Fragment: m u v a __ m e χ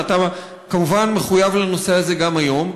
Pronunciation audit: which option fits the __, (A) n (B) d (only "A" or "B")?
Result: A